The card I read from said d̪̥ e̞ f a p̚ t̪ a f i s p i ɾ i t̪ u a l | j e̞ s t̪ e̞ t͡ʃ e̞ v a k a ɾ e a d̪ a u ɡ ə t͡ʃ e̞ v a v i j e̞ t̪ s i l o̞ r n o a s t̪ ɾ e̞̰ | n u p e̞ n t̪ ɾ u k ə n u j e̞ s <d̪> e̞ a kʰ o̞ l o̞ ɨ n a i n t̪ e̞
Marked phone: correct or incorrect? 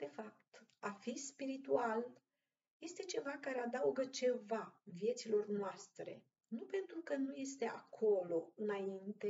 incorrect